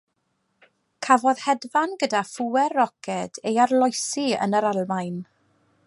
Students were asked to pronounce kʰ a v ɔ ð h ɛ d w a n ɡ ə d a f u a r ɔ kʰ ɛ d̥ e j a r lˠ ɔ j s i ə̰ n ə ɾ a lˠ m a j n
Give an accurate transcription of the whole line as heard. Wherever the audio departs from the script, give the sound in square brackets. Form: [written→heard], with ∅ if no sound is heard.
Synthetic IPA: kʰ a v ɔ ð h ɛ d [w→v] a n ɡ ə d a f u [a→ɛ] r ɔ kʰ ɛ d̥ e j a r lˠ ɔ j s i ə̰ n ə ɾ a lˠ m a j n